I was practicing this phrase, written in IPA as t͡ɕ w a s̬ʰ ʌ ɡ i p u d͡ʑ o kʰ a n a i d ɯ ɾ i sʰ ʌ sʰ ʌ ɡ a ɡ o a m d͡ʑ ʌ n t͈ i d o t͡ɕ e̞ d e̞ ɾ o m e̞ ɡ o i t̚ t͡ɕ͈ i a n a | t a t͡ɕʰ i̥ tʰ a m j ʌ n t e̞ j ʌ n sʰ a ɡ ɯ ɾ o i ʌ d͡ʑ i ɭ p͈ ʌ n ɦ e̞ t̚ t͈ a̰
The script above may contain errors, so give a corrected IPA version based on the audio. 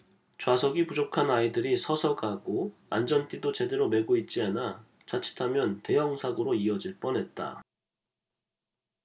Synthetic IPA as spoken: t͡ɕ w a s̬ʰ ʌ ɡ i p u d͡ʑ o kʰ a n a i d ɯ ɾ i sʰ ʌ sʰ ʌ ɡ a ɡ o a n d͡ʑ ʌ n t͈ i d o t͡ɕ e̞ d e̞ ɾ o m e̞ ɡ o i t̚ t͡ɕ͈ i a n a | t͡ɕ a t͡ɕʰ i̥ tʰ a m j ʌ n t e̞ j ʌ ŋ sʰ a ɡ ɯ ɾ o i ʌ d͡ʑ i ɭ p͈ ʌ n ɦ e̞ t̚ t͈ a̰

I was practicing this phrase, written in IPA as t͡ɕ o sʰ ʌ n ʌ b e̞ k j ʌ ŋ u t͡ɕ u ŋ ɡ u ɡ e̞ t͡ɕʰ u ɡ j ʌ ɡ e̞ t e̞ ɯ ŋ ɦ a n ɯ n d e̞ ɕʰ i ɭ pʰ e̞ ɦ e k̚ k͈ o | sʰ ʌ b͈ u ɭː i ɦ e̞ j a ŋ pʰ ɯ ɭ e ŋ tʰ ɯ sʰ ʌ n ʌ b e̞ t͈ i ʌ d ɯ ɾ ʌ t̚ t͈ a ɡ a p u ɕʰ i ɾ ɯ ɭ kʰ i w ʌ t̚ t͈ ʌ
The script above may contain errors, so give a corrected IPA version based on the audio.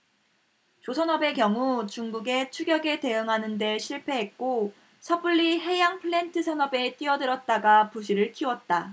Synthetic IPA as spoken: t͡ɕ o sʰ ʌ n ʌ b e̞ k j ʌ ŋ u t͡ɕ u ŋ ɡ u ɡ e̞ t͡ɕʰ u ɡ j ʌ ɡ e̞ t e̞ ɯ ŋ ɦ a n ɯ n d e̞ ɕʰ i ɭ pʰ e̞ ɦ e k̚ k͈ o | sʰ ʌ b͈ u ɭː i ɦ e̞ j a ŋ pʰ ɯ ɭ e n tʰ ɯ sʰ ʌ n ʌ b e̞ t͈ i ʌ d ɯ ɾ ʌ t̚ t͈ a ɡ a p u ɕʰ i ɾ ɯ ɭ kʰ i w ʌ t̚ t͈ a

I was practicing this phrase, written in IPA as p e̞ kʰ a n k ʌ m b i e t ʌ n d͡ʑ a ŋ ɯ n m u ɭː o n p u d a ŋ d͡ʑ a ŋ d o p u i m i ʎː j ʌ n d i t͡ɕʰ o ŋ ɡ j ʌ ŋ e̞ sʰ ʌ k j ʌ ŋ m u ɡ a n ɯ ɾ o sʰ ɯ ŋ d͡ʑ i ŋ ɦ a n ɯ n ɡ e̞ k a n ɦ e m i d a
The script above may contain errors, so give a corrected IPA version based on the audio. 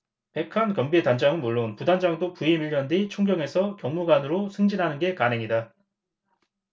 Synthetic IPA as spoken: p e̞ kʰ a n k ʌ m b i e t a n d͡ʑ a ŋ ɯ n m u ɭː o n p u d a n d͡ʑ a ŋ d o p u i m i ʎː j ʌ n d i t͡ɕʰ o ŋ ɡ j ʌ ŋ e̞ sʰ ʌ k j ʌ ŋ m u ɡ a n ɯ ɾ o sʰ ɯ ŋ d͡ʑ i n ɦ a n ɯ n ɡ e̞ k a n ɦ e ŋ i d a

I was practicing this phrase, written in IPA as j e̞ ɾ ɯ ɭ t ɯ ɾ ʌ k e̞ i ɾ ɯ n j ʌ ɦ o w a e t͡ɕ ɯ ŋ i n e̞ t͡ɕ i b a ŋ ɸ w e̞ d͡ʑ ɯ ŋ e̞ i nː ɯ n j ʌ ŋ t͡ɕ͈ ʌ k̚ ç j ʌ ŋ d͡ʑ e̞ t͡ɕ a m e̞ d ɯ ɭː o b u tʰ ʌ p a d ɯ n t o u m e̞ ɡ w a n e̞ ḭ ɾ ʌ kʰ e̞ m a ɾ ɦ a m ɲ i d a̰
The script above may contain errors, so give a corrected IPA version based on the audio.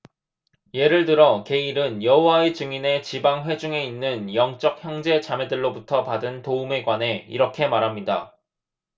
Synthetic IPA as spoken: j e̞ ɾ ɯ ɭ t ɯ ɾ ʌ k e̞ i ɾ ɯ n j ʌ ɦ o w a e t͡ɕ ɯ ŋ i n e̞ t͡ɕ i b a ŋ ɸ w e̞ d͡ʑ u ŋ e̞ i nː ɯ n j ʌ ŋ t͡ɕ͈ ʌ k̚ ç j ʌ ŋ d͡ʑ e̞ t͡ɕ a m e̞ d ɯ ɭː o b u tʰ ʌ p a d ɯ n t o u m e̞ ɡ w a n e̞ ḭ ɾ ʌ kʰ e̞ m a ɾ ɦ a m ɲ i d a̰

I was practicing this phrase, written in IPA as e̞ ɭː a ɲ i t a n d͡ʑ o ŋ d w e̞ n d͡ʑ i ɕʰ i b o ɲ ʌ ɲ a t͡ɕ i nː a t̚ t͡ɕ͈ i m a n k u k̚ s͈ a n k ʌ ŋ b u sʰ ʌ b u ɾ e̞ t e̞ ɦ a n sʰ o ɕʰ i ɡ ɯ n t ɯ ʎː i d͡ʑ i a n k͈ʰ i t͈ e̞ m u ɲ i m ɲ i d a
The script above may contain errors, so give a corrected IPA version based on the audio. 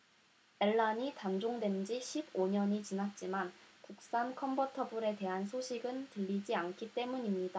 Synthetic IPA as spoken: e̞ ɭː a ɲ i t a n d͡ʑ o ŋ d w e̞ n d͡ʑ i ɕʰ i b o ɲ ʌ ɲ i t͡ɕ i n a t̚ t͡ɕ͈ i m a n k u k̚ s͈ a n kʰ ʌ m b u tʰ ʌ b u ɾ e̞ t e̞ ɦ a n sʰ o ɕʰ i ɡ ɯ n t ɯ ʎː i d͡ʑ i a n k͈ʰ i t͈ e̞ m u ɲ i m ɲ i d a

